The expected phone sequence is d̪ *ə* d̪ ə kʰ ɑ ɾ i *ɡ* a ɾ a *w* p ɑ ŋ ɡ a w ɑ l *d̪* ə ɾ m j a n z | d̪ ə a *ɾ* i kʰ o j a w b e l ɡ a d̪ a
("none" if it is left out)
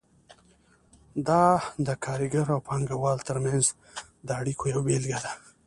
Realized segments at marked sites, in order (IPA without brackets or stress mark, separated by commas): ɑ, ɡ, w, t̪, ɽ